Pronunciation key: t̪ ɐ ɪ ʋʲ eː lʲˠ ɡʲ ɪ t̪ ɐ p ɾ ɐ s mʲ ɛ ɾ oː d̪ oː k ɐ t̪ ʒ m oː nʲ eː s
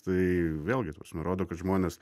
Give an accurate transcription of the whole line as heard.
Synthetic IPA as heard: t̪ ɐ ɪ ʋʲ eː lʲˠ ɡʲ ɪ t̪ ɐ p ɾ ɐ s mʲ ɛ ɾ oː d̪ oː k ɐ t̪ ʒ m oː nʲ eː s